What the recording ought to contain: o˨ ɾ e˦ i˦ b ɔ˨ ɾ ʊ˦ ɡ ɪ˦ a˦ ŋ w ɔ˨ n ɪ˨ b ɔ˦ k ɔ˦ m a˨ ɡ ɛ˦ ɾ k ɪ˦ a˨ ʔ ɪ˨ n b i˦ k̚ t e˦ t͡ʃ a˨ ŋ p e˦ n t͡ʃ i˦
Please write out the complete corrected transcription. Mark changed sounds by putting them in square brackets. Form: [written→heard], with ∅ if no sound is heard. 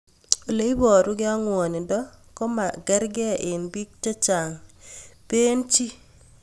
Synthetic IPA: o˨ [ɾ→l] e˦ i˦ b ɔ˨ ɾ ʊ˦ ɡ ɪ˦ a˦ ŋ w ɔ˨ n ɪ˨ [b→d] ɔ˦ k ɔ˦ m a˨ ɡ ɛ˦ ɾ [k→ɡ] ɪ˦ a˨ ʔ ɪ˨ n b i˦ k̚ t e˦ t͡ʃ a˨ ŋ p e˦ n t͡ʃ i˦

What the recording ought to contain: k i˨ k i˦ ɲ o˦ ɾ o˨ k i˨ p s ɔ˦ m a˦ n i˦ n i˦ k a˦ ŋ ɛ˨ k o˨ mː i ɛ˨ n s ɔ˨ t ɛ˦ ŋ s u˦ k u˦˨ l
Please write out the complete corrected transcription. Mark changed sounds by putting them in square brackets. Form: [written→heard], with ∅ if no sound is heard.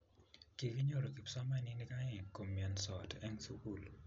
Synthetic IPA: k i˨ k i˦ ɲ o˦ ɾ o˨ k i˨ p s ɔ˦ m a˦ n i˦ n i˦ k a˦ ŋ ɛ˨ k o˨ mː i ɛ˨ n s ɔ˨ t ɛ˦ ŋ s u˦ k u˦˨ l

